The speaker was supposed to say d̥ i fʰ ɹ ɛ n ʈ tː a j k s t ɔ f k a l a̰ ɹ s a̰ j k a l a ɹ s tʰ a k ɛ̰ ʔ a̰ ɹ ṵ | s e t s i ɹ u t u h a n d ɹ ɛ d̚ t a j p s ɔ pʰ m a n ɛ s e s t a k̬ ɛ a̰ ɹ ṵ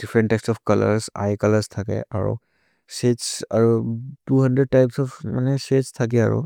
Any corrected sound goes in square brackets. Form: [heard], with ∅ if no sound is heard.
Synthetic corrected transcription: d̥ i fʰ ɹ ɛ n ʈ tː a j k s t ɔ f k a l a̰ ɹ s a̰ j k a l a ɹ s tʰ a k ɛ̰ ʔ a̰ ɹ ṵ | s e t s [a] ɹ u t u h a n d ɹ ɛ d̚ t a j p s ɔ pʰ m a n ɛ s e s [tʰ] a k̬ ɛ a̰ ɹ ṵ